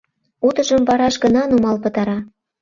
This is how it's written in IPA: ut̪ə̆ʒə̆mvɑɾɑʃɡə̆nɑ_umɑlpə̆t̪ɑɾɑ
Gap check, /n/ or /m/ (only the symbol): n